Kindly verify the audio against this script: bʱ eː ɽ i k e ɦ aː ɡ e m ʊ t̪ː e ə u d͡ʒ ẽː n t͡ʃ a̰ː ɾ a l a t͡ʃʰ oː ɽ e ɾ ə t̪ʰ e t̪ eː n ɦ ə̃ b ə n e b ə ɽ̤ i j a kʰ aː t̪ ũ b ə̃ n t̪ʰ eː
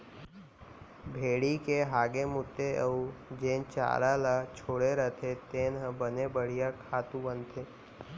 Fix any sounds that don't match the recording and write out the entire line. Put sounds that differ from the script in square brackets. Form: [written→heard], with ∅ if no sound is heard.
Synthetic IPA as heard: bʱ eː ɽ i k e ɦ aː ɡ e m ʊ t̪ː e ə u d͡ʒ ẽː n t͡ʃ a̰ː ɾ a l a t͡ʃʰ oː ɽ e ɾ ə t̪ʰ e t̪ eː n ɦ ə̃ b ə n e b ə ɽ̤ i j a kʰ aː t̪ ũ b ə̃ n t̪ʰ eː